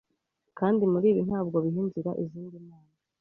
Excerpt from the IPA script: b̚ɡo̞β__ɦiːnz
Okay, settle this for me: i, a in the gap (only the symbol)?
i